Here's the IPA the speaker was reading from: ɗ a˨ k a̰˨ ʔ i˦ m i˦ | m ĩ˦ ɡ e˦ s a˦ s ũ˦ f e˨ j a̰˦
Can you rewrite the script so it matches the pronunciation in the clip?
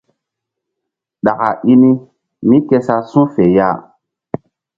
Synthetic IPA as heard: ɗ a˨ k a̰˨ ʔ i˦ n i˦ | m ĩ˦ k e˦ s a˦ s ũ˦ f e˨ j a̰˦